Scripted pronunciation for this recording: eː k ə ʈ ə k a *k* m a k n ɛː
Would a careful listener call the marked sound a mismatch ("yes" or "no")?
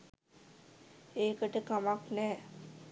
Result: yes